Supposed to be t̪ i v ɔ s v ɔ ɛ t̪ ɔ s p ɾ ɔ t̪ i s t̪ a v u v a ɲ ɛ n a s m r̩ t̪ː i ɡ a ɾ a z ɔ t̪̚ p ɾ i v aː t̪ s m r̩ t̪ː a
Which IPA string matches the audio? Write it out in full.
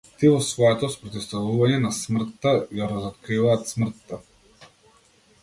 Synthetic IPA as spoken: t̪ i v ɔ s v ɔ ɛ t̪ ɔ s p ɾ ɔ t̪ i s t̪ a v u v a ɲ ɛ n a s m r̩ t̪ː a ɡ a ɾ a z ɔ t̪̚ k ɾ i v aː t̪ s m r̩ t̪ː a